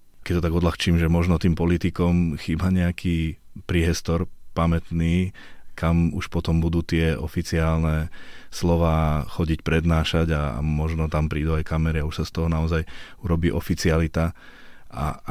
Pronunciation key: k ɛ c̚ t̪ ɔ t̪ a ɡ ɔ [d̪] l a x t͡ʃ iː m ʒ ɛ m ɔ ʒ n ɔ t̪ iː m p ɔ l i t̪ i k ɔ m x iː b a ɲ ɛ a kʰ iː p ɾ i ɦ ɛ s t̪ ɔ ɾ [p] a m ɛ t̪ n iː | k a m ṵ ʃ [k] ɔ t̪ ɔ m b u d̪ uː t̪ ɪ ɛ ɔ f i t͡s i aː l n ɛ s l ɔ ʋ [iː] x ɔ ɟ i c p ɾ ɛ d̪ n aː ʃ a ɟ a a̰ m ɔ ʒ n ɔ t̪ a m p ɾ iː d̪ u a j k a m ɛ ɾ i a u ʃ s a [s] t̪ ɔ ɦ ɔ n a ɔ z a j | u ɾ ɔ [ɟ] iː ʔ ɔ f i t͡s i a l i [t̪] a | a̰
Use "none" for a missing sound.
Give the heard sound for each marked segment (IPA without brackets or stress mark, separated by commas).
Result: d̪, p, p, aː, s, b, t̪